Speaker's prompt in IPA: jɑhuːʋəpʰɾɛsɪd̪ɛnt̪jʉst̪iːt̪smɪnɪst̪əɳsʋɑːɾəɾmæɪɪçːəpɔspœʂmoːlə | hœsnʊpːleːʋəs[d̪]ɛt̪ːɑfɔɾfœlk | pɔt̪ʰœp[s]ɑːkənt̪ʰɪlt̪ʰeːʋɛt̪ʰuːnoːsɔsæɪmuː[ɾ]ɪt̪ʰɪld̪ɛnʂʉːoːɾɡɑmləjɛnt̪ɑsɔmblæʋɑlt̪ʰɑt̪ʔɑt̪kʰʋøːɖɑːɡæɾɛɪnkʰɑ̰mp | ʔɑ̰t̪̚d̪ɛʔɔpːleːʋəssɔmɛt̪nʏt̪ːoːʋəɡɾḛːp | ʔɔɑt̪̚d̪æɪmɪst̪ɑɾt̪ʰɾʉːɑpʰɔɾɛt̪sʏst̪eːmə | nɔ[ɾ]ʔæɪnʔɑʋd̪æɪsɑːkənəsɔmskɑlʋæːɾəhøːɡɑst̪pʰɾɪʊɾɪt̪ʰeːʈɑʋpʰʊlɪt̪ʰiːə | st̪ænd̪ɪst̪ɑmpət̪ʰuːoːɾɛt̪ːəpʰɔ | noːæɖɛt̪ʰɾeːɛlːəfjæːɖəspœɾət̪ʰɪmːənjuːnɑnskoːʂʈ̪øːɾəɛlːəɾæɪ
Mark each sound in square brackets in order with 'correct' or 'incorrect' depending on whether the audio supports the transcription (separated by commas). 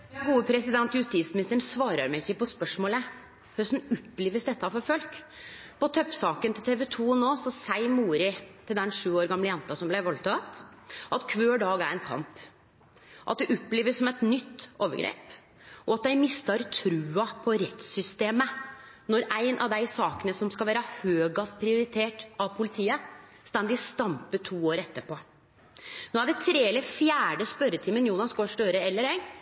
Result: correct, correct, correct, correct